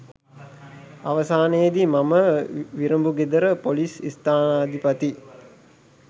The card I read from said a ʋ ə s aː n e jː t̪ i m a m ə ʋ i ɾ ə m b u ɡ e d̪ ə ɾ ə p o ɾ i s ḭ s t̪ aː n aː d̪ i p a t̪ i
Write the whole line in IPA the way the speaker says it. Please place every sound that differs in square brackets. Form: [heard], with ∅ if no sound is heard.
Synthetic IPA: a ʋ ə s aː n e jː [d̪] i m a m ə ʋ i ɾ ə m b u ɡ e d̪ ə ɾ ə p o [l] i s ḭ s t̪ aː n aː d̪ i p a t̪ i